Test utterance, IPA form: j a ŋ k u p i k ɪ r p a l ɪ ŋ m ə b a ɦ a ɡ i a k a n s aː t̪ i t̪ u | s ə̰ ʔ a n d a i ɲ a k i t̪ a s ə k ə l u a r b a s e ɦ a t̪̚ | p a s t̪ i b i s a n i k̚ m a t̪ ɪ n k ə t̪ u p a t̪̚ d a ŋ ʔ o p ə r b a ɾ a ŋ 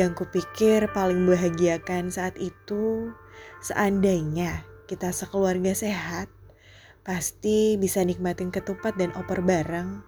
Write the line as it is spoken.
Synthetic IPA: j a ŋ k u p i k ɪ r p a l ɪ ŋ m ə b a ɦ a ɡ i a k a n s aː t̪ i t̪ u | s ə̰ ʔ a n d a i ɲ a k i t̪ a s ə k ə l u a r ɡ a s e ɦ a t̪̚ | p a s t̪ i b i s a n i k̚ m a t̪ ɪ n k ə t̪ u p a t̪̚ d a n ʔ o p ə r b a ɾ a ŋ